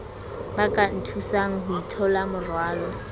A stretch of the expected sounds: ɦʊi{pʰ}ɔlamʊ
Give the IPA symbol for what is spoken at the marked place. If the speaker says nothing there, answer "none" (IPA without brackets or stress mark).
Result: tʰ